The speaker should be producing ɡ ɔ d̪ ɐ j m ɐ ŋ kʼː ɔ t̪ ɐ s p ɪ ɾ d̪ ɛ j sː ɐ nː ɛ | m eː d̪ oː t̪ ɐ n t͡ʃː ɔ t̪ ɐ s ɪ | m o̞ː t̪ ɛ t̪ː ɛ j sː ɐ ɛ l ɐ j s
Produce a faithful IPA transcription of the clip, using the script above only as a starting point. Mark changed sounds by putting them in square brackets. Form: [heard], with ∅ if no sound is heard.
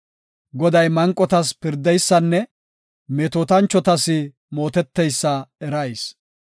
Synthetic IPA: ɡ ɔ d̪ ɐ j m ɐ ŋ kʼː ɔ t̪ ɐ s p ɪ ɾ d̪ ɛ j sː ɐ nː ɛ | m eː [t̪] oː t̪ ɐ n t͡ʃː ɔ t̪ ɐ s ɪ | m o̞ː t̪ ɛ t̪ː ɛ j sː ɐ ɛ [ɾ] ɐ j s